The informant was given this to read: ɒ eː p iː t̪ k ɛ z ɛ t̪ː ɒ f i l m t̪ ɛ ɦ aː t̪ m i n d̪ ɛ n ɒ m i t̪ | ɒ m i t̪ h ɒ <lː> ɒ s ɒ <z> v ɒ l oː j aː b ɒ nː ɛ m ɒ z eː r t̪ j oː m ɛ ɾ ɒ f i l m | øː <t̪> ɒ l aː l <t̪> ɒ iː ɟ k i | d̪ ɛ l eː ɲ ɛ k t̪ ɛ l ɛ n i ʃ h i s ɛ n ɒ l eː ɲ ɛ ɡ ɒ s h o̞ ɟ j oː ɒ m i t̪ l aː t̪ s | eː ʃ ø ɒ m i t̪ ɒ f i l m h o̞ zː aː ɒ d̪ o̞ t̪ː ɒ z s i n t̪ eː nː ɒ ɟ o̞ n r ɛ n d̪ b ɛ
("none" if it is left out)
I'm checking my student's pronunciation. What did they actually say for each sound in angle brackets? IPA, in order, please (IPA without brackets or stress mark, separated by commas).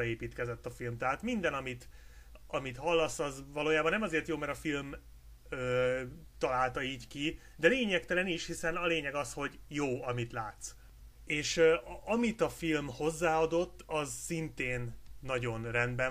lː, z, t̪, t̪